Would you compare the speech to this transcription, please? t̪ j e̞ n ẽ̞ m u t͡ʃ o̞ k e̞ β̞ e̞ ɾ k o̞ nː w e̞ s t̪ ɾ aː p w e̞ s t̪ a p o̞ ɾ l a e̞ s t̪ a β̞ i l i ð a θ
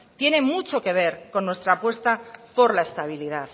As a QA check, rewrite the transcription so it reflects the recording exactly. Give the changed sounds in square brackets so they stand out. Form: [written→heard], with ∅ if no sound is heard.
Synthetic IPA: t̪ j e̞ n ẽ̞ m u t͡ʃ o̞ k e̞ β̞ e̞ ɾ k o̞ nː w e̞ s t̪ ɾ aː p w e̞ s t̪ a p o̞ ɾ l a e̞ s t̪ a β̞ i l i ð a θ